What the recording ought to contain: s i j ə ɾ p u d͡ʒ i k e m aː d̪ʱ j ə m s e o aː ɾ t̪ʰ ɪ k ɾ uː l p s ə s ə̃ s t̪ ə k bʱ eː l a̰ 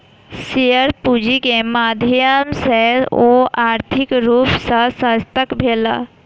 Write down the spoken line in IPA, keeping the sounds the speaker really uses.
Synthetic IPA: s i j ə ɾ p u d͡ʒ i k e m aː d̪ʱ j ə m s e o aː ɾ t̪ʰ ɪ k ɾ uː p s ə s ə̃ s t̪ ə k bʱ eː l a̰

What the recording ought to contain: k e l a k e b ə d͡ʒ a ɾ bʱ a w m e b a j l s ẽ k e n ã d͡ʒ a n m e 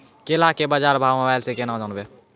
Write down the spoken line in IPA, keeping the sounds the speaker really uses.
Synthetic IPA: k e l a k e b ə d͡ʒ a ɾ bʱ a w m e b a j l s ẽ k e n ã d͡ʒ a n b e

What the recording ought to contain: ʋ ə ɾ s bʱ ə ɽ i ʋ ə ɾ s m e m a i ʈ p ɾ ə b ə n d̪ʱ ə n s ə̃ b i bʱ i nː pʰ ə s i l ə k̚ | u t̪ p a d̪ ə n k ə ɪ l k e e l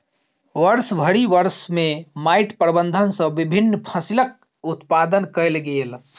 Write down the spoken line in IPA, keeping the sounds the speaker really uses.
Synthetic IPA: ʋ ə ɾ s bʱ ə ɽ i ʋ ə ɾ s m e m a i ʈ p ɾ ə b ə n d̪ʱ ə n s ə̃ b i bʱ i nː pʰ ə s i l ə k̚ | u t̪ p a d̪ ə n k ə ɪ l ɡ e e l

